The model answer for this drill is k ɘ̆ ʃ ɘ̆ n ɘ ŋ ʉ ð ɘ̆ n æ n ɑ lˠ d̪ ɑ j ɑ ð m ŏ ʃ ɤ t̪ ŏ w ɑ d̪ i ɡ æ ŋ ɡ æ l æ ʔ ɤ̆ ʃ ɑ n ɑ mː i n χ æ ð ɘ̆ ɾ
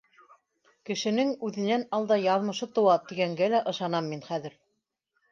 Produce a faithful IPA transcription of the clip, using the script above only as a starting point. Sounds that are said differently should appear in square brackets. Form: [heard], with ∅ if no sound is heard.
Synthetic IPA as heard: k ɘ̆ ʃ ɘ̆ n ɘ ŋ ʉ ð ɘ̆ n æ n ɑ lˠ d̪ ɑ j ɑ ð m [ɤ̆] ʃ ɤ t̪ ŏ w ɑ [t̪] i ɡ æ ŋ ɡ æ l æ ʔ ɤ̆ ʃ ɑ n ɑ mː i n χ æ ð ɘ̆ ɾ